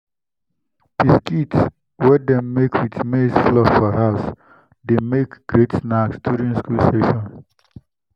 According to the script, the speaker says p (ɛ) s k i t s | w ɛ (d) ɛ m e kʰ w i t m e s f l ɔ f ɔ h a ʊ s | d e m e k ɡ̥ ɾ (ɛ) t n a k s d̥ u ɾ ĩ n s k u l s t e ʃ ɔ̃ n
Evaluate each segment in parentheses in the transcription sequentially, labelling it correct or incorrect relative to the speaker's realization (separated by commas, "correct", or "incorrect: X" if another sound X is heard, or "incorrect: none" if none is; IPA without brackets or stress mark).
incorrect: i, correct, incorrect: e